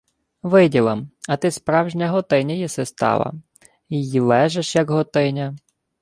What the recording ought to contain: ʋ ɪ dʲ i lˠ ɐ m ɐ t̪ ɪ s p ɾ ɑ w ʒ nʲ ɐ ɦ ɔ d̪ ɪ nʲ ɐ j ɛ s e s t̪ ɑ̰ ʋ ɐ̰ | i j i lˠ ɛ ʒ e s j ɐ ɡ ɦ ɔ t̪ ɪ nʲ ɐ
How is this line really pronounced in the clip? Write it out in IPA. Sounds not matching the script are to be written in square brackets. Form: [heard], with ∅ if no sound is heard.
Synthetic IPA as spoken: ʋ ɪ dʲ i lˠ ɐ m ɐ t̪ ɪ s p ɾ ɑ w ʒ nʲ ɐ ɦ ɔ [t̪] ɪ nʲ ɐ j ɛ s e s t̪ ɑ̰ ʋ ɐ̰ | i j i lˠ ɛ ʒ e [ʃ] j ɐ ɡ ɦ ɔ t̪ ɪ nʲ ɐ